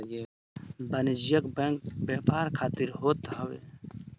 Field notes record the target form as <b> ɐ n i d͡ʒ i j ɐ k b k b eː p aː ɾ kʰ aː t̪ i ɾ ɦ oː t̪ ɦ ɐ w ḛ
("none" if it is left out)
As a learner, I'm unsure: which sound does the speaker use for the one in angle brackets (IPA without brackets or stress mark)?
b